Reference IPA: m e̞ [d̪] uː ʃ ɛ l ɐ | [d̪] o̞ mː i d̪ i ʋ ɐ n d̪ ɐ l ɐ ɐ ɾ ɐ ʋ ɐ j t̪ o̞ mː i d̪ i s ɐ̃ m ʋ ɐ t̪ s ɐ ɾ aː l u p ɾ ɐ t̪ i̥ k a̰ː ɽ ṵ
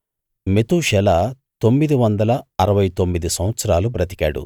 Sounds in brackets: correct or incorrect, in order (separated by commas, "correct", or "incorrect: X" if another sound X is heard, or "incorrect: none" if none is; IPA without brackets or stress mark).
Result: incorrect: t̪, incorrect: t̪